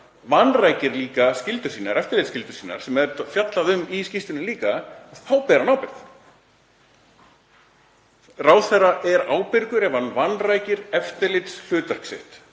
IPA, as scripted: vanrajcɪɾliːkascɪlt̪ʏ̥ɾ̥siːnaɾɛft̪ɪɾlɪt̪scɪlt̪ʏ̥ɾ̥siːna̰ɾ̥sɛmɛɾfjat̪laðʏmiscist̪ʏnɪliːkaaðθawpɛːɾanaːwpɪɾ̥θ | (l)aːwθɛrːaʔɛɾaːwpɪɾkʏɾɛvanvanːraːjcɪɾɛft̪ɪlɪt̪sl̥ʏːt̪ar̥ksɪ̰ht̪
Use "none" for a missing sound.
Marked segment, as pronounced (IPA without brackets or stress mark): r